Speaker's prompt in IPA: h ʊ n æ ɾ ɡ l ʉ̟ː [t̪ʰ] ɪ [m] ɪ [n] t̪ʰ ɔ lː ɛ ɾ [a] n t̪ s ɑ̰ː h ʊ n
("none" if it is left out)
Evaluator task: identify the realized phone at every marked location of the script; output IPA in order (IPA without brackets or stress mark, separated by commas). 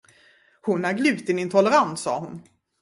t̪, n, n, a